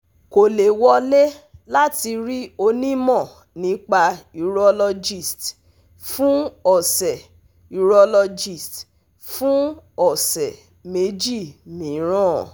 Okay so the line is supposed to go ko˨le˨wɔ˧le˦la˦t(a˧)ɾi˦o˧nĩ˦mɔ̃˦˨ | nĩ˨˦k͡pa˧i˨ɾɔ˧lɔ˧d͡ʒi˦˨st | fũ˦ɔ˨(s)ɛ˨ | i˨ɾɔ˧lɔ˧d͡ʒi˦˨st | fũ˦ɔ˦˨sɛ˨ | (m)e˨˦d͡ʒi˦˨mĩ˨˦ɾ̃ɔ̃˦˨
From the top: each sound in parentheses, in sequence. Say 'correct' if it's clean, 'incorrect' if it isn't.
incorrect: i˧, correct, correct

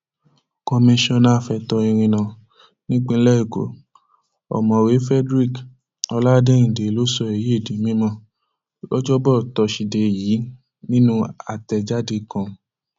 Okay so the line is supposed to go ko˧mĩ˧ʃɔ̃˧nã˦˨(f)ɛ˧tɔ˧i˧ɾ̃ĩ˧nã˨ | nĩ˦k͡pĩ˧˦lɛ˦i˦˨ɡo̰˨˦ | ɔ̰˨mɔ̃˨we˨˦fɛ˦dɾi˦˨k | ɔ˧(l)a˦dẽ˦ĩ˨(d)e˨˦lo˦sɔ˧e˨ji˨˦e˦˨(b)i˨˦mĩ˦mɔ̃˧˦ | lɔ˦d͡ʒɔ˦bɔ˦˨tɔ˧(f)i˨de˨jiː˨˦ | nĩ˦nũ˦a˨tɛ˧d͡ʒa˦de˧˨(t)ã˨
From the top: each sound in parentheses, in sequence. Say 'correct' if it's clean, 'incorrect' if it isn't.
correct, correct, correct, incorrect: d, incorrect: ʃ, incorrect: k

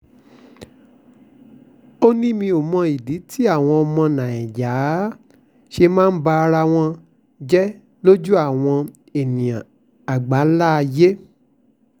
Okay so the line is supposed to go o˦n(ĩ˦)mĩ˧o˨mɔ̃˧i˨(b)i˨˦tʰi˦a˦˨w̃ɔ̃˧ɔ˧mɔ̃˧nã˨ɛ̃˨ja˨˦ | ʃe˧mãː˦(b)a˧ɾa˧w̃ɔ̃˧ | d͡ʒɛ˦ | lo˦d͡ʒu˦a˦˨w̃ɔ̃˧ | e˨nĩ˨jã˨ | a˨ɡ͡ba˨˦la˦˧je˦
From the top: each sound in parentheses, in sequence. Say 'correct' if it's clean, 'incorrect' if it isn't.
correct, incorrect: d, correct

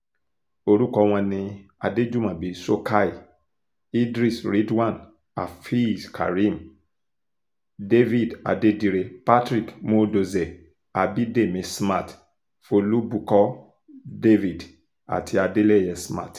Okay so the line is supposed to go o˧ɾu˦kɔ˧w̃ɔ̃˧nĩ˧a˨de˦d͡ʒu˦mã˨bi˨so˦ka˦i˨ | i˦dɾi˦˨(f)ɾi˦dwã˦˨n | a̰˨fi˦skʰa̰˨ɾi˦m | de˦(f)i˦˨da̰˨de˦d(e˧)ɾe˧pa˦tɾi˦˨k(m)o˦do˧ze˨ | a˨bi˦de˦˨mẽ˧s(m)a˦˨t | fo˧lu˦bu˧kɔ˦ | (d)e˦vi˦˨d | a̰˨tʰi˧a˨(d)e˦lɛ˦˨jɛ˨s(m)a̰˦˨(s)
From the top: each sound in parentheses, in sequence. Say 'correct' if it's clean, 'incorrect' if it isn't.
incorrect: s, incorrect: v, incorrect: i˧, correct, correct, correct, correct, correct, incorrect: t

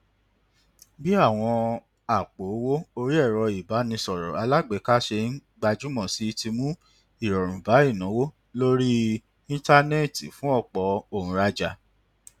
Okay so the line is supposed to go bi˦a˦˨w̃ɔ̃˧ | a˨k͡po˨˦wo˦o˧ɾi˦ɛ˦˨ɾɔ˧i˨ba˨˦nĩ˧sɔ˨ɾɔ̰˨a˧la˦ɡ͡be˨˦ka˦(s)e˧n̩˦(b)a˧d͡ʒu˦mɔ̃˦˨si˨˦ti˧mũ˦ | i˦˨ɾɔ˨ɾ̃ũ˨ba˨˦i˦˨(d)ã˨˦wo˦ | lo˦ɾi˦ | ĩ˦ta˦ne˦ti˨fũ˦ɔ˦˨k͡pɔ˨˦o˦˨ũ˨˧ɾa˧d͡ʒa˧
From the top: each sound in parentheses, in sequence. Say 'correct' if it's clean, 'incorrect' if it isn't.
incorrect: ʃ, incorrect: ɡ͡b, incorrect: n

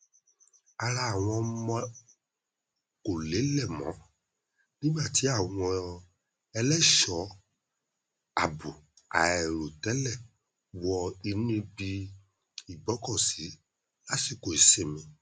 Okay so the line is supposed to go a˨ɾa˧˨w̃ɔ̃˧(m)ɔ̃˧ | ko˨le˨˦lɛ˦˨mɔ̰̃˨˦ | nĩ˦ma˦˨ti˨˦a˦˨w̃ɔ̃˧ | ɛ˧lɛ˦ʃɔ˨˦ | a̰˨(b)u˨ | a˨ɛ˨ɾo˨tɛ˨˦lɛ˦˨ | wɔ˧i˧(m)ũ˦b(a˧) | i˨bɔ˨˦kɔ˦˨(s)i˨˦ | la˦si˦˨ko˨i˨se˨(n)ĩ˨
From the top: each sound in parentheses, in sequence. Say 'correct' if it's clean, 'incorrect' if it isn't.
correct, correct, incorrect: n, incorrect: i˧, correct, incorrect: m

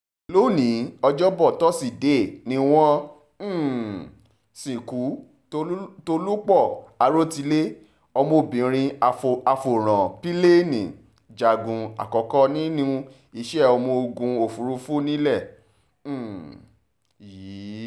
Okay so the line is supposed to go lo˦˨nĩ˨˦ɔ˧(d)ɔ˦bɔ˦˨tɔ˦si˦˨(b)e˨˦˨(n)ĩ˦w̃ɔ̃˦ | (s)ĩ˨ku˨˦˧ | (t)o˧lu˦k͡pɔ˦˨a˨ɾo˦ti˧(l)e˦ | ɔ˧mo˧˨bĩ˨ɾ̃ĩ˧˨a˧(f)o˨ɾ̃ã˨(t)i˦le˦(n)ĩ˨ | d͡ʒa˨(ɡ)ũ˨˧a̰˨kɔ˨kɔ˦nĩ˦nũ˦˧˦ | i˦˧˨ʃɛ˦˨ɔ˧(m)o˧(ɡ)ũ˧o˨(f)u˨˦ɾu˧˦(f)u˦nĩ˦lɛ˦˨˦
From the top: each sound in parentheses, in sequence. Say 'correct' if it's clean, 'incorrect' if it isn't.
incorrect: d͡ʒ, incorrect: d, correct, correct, correct, correct, correct, incorrect: p, correct, correct, correct, correct, correct, correct

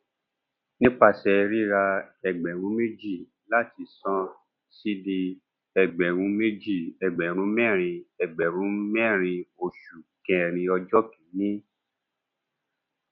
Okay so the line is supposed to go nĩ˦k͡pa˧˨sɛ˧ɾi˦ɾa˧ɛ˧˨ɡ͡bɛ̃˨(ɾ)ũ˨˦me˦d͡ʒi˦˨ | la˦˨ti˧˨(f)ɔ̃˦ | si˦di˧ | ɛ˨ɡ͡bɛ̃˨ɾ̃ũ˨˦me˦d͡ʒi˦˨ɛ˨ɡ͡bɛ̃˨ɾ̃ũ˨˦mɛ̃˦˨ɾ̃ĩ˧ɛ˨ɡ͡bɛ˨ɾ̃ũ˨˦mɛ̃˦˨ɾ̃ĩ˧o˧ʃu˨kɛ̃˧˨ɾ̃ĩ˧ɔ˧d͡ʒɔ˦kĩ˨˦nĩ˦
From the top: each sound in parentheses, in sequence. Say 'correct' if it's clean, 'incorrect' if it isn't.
correct, incorrect: s

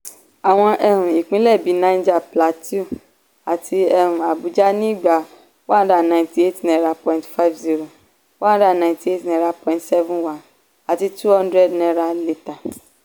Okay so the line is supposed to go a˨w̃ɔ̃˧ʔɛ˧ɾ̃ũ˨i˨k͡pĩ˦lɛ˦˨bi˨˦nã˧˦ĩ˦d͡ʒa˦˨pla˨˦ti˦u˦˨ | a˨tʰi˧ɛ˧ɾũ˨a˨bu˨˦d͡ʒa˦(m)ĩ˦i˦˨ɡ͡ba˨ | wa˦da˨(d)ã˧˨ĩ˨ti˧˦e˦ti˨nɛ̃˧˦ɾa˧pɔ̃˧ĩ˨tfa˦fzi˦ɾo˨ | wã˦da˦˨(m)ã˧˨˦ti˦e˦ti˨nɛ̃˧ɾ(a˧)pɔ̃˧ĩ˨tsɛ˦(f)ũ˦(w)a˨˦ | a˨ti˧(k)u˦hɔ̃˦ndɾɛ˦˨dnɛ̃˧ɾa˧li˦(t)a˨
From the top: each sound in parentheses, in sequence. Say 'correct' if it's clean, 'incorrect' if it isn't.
incorrect: n, incorrect: n, incorrect: n, correct, incorrect: v, correct, incorrect: t, correct

